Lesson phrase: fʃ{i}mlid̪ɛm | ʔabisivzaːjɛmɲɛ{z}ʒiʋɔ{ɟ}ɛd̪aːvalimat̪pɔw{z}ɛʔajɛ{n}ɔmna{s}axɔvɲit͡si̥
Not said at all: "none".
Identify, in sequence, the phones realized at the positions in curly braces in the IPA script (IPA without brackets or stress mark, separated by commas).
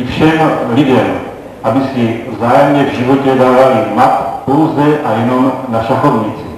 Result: ɛ, v, c, z, n, ʃ